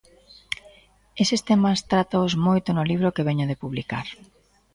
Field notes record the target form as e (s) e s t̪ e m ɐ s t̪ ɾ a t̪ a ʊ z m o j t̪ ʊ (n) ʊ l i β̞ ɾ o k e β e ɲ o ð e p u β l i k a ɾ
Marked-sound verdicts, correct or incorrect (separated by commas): correct, correct